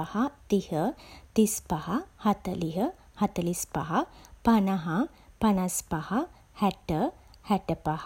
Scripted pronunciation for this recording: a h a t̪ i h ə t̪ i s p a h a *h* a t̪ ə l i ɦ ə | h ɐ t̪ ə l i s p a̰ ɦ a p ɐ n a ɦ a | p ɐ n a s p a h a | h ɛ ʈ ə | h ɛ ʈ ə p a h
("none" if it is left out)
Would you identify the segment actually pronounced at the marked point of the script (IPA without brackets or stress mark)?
h